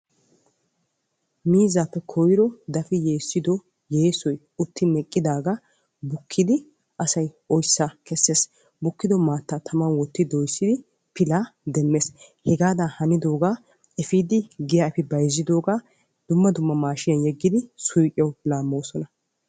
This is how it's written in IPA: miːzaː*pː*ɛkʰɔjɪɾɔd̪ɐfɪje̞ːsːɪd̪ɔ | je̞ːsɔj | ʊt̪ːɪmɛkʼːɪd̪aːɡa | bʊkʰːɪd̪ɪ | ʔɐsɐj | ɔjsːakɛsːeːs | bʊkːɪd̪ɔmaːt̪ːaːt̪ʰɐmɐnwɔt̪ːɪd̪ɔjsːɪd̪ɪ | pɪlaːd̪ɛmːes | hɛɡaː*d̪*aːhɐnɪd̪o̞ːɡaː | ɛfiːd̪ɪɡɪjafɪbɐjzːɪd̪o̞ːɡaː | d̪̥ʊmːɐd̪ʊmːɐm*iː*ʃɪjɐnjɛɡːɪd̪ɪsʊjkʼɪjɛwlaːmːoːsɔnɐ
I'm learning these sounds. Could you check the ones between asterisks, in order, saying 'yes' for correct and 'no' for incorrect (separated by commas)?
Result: yes, yes, no